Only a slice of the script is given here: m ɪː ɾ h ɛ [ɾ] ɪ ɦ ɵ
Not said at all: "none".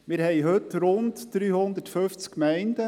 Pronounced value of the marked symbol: none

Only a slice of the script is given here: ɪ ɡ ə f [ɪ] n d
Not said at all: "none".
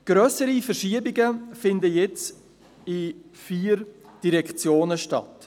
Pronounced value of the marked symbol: ɪ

